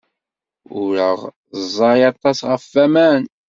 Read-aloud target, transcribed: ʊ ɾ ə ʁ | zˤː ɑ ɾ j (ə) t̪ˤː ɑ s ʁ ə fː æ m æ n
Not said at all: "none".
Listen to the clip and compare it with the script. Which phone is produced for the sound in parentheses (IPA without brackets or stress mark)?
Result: ɑ